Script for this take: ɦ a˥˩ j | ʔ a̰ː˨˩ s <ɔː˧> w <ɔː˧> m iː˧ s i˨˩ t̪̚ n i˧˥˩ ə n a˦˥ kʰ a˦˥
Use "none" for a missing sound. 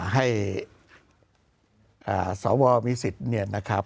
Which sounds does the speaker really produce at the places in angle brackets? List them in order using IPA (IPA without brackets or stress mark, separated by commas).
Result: ɔː˩˦, ɔː˧